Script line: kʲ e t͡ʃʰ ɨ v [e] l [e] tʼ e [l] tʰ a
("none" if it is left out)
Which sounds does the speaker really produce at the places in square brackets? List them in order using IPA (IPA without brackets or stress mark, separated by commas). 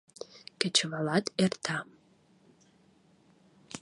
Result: a, a, r